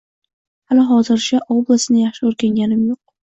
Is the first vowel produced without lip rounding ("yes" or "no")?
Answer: yes